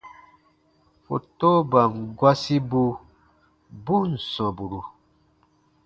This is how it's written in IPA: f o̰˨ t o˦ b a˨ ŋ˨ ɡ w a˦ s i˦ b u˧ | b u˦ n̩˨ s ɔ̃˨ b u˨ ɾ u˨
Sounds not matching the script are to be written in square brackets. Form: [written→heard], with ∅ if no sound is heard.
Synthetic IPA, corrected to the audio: f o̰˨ t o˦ b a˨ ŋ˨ ɡ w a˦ s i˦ b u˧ | b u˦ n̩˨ s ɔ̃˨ b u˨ ɾ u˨